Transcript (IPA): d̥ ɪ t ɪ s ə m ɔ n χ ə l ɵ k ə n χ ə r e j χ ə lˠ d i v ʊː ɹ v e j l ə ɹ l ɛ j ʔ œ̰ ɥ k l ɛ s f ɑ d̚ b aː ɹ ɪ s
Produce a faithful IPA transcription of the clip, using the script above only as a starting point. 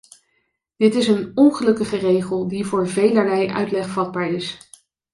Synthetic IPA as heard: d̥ ɪ t ɪ s ə n ɔ n χ ə l ɵ k ə χ ə r e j χ ə lˠ d i v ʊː ɹ v e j l ə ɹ l ɛ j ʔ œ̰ ɥ t l ɛ χ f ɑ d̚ b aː ɹ ɪ s